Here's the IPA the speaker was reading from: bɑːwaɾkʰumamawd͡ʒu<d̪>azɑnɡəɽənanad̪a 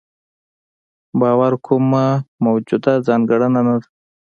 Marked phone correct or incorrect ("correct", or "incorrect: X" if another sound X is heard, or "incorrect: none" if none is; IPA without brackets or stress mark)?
correct